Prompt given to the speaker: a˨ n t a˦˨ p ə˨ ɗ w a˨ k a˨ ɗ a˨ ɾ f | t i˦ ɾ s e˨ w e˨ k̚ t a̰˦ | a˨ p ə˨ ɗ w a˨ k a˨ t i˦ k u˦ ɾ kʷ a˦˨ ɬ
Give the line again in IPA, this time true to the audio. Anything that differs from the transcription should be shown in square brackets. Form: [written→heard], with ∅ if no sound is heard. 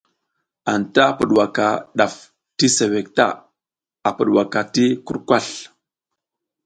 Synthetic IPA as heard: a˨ n t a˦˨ p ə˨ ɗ w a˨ k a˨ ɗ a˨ [ɾ→∅] f | t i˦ [ɾ→∅] s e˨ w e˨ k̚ t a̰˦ | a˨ p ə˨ ɗ w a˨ k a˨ t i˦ k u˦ ɾ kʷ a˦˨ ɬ